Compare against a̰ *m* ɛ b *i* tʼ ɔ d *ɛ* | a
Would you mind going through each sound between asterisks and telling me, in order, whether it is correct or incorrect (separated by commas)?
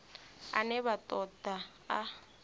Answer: incorrect, incorrect, incorrect